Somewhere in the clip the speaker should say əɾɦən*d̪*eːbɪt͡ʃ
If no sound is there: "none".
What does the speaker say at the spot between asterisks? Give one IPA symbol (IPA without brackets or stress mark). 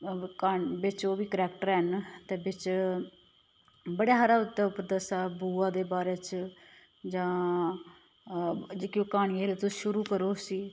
t̪